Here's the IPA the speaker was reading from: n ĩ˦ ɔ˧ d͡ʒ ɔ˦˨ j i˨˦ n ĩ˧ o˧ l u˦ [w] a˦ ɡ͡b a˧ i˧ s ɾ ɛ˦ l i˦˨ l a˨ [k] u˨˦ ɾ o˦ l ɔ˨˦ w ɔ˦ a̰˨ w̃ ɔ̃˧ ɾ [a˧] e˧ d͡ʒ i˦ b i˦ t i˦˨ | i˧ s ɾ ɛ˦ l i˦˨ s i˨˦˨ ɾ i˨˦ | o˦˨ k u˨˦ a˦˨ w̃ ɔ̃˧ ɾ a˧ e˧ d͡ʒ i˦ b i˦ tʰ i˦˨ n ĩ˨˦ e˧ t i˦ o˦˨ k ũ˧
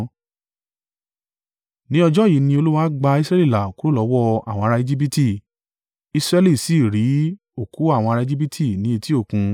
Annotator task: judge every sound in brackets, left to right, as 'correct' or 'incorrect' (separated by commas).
correct, correct, correct